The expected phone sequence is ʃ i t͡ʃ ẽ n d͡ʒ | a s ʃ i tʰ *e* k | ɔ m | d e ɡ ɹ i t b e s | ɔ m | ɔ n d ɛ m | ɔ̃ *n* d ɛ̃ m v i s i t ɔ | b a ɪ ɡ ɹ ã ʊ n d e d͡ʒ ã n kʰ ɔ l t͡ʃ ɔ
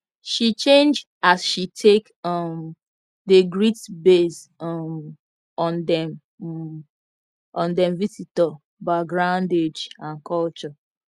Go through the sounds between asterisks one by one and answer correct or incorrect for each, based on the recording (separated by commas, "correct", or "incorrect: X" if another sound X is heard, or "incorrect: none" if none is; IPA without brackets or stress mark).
correct, correct